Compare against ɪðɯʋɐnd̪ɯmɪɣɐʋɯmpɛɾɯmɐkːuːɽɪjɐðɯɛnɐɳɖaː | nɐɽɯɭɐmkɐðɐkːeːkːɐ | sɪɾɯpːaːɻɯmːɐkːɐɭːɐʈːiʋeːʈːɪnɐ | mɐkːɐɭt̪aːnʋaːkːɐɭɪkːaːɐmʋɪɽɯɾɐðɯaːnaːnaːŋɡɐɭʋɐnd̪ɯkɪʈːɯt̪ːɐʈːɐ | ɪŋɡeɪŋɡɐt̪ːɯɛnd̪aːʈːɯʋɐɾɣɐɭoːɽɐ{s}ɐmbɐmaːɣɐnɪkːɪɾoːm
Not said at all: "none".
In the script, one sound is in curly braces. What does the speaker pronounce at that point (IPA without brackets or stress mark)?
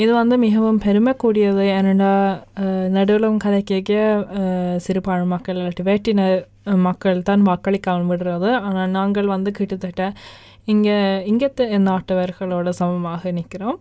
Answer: s